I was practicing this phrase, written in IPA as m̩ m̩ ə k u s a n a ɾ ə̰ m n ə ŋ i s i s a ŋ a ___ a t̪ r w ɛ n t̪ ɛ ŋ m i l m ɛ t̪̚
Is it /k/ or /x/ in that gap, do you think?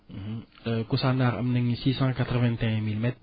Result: k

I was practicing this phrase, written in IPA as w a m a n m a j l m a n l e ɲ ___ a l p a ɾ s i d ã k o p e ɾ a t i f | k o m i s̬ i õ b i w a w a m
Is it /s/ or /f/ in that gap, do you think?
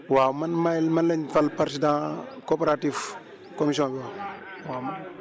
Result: f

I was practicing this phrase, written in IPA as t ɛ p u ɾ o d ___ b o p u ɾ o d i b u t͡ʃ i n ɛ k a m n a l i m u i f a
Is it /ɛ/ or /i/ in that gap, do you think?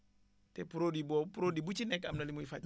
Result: i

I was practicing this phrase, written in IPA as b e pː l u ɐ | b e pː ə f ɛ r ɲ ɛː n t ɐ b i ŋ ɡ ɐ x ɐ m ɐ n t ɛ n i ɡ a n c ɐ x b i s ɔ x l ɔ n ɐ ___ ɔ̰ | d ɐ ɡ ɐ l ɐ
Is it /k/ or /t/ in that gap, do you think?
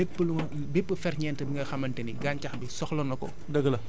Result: k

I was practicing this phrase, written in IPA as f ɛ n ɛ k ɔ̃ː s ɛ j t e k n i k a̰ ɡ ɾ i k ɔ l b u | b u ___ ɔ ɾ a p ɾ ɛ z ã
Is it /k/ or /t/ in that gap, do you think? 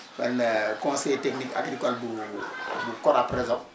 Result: k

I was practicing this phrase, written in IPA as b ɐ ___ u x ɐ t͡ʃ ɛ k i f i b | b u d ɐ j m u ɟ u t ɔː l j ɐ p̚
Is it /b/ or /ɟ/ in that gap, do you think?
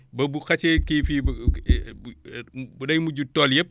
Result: b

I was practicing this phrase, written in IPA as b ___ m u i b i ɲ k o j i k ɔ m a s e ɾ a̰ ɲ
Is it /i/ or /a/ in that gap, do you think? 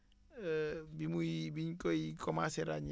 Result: i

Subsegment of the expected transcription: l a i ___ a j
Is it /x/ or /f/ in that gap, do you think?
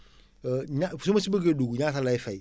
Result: f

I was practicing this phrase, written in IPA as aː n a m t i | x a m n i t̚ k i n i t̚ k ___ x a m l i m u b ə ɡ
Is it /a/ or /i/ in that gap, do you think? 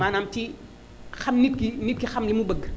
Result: i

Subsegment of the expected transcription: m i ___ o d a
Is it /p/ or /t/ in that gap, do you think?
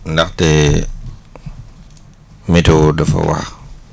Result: t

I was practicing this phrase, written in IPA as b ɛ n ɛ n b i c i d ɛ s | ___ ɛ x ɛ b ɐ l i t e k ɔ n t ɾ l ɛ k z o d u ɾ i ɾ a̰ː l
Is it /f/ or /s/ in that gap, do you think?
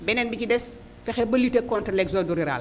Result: f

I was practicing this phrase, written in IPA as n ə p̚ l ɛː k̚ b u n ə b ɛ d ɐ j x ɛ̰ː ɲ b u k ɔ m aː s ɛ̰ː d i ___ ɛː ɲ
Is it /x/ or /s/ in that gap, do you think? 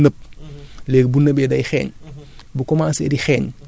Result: x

